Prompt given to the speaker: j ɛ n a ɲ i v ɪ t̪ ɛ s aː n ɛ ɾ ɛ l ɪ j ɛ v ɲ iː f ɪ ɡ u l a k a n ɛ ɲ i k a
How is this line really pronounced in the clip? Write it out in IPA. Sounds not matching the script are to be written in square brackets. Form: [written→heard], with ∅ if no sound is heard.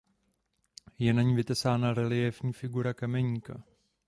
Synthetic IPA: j ɛ n a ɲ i v ɪ t̪ ɛ s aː n [ɛ→a] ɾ ɛ l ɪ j ɛ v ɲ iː f ɪ ɡ u [l→ɾ] a k a [n→m] ɛ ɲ i k a